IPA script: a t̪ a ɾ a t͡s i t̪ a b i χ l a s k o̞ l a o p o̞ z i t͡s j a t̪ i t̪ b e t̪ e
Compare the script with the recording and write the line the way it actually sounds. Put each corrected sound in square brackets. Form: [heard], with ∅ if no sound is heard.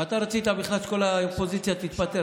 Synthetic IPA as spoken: a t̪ a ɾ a t͡s i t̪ a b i χ l a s k o̞ l a o p o̞ z i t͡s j a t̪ i t̪ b [a] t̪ e